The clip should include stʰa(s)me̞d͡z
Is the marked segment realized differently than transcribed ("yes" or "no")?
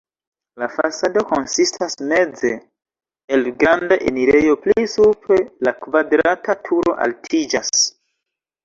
no